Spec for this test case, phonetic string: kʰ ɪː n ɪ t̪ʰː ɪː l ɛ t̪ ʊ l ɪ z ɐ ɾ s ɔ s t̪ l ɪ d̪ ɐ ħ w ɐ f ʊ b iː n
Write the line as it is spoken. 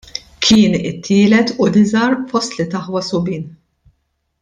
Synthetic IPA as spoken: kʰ ɪː n ɪ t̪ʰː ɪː l ɛ t̪ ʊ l ɪ z ɐ ɾ f ɔ s t̪ l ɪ t̪ ɐ ħ w ɐ s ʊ b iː n